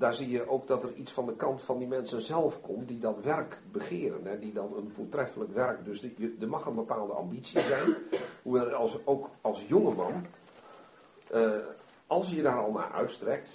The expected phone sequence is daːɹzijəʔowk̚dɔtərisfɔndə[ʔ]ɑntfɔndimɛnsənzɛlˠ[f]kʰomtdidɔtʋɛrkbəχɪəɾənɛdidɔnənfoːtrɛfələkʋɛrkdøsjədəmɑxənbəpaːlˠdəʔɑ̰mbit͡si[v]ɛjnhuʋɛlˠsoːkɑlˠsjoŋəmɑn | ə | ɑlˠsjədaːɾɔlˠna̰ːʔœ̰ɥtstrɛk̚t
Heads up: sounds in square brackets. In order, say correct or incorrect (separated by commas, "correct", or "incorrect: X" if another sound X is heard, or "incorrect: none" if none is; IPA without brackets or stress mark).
incorrect: k, correct, incorrect: z